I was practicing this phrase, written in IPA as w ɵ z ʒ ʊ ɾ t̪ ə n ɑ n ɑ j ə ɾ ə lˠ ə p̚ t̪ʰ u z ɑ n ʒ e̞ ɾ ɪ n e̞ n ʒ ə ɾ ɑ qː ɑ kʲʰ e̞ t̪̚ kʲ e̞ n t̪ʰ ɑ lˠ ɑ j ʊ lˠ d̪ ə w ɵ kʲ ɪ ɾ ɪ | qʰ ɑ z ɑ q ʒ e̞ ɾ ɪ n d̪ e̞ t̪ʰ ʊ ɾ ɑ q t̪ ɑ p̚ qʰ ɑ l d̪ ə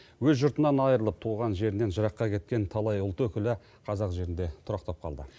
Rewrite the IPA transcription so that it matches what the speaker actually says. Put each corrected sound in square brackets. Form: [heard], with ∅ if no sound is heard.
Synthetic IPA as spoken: w ɵ z ʒ ʊ ɾ t̪ ə n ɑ n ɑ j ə ɾ ə lˠ ə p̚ t̪ʰ u [ʁ] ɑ n ʒ e̞ ɾ ɪ n e̞ n ʒ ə ɾ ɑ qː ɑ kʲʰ e̞ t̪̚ kʲ e̞ n t̪ʰ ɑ lˠ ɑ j ʊ lˠ [t̪] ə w ɵ kʲ ɪ [l] ɪ | qʰ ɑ z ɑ q ʒ e̞ ɾ ɪ n d̪ e̞ t̪ʰ ʊ ɾ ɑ q t̪ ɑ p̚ qʰ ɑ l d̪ ə